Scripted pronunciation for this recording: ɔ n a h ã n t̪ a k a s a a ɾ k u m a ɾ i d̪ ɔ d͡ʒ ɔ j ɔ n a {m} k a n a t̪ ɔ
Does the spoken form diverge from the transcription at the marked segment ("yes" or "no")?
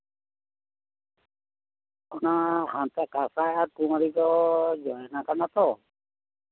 yes